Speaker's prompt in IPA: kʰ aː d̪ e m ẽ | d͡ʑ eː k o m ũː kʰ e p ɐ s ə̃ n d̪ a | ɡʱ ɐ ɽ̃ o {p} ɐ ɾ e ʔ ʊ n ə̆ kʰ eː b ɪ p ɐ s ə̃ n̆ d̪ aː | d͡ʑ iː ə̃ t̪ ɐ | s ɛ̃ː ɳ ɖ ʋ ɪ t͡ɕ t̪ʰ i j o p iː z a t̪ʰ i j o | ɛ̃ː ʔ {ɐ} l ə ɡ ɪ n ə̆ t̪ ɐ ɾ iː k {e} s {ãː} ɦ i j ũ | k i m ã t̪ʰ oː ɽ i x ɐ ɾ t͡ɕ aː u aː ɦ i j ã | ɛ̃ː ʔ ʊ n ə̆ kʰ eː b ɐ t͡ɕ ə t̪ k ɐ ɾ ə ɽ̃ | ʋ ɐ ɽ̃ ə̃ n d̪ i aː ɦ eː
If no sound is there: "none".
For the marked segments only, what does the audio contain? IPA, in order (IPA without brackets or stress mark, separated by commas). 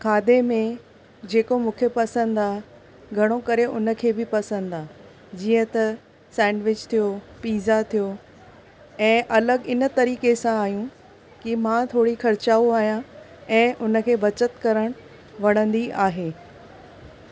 k, ɐ, e, ãː